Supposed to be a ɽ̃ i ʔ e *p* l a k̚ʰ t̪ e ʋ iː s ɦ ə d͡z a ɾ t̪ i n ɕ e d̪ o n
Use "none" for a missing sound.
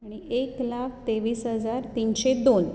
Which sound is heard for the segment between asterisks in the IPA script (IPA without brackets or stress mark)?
k